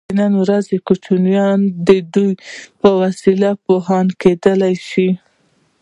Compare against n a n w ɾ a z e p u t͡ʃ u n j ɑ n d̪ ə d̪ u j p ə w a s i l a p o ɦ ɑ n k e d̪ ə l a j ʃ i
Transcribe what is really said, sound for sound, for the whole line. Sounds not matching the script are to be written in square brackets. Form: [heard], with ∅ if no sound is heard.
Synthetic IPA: n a n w ɾ a z e [k] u t͡ʃ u n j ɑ n d̪ ə d̪ u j p ə w a s i l a p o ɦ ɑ n k e d̪ ə l a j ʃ i